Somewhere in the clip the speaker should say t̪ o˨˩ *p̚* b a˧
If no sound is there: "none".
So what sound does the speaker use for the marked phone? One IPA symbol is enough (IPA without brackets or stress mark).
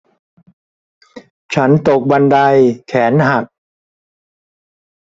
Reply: k̚